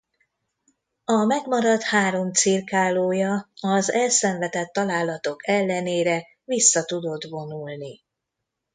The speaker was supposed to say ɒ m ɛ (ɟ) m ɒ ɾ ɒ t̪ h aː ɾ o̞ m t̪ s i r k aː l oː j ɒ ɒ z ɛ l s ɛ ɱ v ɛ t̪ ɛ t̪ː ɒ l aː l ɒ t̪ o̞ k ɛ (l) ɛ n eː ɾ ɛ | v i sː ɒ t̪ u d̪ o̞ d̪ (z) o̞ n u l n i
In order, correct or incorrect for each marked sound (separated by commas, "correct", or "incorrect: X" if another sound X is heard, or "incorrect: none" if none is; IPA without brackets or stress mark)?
incorrect: ɡ, incorrect: lː, incorrect: v